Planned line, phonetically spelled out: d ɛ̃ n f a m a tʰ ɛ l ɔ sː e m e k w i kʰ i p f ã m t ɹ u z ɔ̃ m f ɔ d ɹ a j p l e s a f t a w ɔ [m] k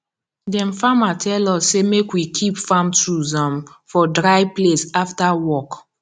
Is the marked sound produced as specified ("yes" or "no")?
no